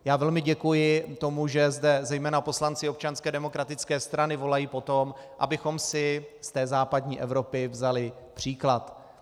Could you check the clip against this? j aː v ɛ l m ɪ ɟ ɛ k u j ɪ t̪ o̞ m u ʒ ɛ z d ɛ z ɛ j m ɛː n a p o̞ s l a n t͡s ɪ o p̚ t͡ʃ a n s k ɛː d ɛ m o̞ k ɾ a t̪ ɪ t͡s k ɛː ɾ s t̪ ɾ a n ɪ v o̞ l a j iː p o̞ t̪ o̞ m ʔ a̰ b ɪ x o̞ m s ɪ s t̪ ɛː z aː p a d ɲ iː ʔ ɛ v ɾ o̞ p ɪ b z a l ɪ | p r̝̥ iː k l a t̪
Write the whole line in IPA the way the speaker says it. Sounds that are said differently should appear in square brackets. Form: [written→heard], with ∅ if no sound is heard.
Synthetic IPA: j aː v ɛ l m ɪ ɟ ɛ k u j ɪ t̪ o̞ m u ʒ ɛ z d ɛ z ɛ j m ɛː n a p o̞ s l a n t͡s ɪ o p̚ t͡ʃ a n s k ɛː d ɛ m o̞ k ɾ a t̪ ɪ t͡s k ɛː [ɾ→∅] s t̪ ɾ a n ɪ v o̞ l a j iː p o̞ t̪ o̞ m ʔ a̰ b ɪ x o̞ m s ɪ s t̪ ɛː z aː p a d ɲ iː ʔ ɛ v ɾ o̞ p ɪ [b→v] z a l ɪ | p r̝̥ iː k l a t̪